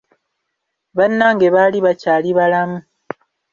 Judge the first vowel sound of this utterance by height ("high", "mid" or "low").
low